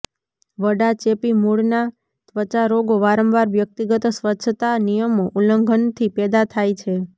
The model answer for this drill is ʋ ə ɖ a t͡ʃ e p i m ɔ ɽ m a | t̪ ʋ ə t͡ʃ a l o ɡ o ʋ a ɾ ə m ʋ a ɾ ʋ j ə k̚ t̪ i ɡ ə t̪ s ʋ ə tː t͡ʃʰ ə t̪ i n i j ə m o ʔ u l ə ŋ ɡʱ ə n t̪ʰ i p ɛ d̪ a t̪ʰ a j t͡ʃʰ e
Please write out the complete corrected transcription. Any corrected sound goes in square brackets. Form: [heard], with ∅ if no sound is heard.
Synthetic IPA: ʋ ə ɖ a t͡ʃ e p i m [u] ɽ [n] a | t̪ ʋ ə t͡ʃ a [ɾ] o ɡ o ʋ a ɾ ə m ʋ a ɾ ʋ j ə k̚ t̪ i ɡ ə t̪ s ʋ ə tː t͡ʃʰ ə t̪ [a] n i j ə m o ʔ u l ə ŋ ɡʱ ə n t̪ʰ i p ɛ d̪ a t̪ʰ a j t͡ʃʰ e